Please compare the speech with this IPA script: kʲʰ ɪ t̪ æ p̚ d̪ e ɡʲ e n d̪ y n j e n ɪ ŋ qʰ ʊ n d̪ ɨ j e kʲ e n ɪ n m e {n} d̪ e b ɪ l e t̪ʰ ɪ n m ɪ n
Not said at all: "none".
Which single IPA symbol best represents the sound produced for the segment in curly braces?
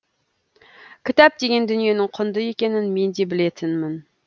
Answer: n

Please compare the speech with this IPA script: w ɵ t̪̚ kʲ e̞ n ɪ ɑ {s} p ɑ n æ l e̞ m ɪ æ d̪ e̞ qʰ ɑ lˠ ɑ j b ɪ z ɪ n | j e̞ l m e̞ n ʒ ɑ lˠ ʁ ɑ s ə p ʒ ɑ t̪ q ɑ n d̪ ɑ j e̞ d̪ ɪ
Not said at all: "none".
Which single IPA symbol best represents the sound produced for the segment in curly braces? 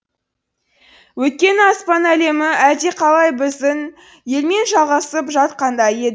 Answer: s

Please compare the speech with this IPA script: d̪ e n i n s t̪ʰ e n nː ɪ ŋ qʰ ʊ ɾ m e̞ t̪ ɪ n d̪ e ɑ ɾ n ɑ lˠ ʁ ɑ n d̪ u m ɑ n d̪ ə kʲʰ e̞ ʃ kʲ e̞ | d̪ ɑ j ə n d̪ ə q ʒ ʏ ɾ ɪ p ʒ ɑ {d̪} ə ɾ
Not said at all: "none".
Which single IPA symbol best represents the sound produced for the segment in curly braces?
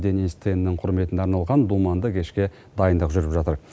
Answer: t̪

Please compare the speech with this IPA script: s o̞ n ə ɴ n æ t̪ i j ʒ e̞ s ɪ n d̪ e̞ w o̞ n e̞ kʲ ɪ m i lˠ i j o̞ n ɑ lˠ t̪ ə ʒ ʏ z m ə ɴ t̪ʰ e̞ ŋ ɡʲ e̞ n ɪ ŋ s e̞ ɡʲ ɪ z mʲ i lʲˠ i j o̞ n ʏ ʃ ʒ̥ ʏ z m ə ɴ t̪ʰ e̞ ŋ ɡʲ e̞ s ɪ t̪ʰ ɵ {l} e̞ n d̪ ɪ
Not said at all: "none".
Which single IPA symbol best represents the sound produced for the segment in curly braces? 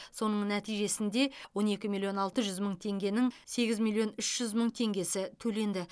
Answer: l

